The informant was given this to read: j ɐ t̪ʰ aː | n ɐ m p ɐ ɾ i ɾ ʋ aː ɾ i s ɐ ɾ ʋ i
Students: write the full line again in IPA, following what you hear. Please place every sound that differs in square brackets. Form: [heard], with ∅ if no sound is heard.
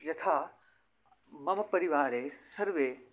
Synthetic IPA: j ɐ t̪ʰ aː | [m] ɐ m p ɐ ɾ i [∅] ʋ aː ɾ [e] s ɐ ɾ ʋ [e]